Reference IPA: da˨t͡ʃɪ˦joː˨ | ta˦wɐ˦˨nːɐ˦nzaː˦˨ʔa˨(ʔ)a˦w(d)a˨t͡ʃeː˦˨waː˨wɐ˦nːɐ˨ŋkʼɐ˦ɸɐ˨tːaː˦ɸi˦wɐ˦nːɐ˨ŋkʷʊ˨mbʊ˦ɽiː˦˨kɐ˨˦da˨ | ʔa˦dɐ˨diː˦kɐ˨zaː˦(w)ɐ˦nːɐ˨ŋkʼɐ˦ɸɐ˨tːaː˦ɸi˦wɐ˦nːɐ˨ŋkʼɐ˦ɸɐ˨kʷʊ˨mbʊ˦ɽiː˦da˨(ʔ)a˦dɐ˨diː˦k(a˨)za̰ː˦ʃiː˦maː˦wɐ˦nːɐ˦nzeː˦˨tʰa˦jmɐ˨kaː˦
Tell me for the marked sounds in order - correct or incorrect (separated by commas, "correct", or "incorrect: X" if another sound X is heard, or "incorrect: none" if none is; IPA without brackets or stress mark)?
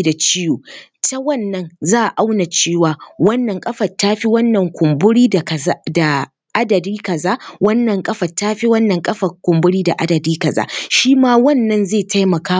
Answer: correct, incorrect: n, correct, correct, incorrect: ɐ˨